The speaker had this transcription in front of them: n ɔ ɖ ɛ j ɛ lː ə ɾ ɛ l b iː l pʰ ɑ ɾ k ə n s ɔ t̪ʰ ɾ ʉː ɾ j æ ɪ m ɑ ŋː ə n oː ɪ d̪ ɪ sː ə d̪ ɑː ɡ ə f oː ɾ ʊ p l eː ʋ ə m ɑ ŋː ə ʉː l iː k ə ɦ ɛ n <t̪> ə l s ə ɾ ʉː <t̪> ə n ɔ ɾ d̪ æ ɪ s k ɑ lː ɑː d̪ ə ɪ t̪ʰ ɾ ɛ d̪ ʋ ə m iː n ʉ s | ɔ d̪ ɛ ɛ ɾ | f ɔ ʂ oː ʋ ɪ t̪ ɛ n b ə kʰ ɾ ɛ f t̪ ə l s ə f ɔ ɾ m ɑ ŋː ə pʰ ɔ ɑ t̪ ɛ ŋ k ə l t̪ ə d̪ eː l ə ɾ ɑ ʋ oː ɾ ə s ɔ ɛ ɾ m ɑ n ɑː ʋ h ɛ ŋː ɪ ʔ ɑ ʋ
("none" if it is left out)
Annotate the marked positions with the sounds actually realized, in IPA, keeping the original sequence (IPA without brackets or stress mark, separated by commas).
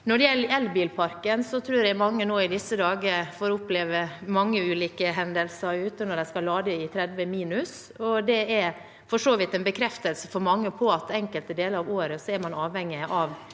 d̪, t̪